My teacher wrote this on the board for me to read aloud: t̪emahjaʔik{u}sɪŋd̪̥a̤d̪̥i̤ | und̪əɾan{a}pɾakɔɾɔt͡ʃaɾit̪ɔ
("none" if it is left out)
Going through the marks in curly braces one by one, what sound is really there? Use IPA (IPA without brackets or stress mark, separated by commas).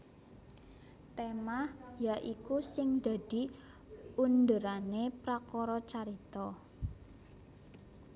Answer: u, e